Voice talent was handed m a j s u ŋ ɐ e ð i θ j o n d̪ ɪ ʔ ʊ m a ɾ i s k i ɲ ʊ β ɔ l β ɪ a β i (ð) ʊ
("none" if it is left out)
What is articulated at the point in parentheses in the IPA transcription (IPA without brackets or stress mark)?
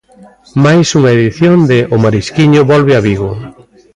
ɣ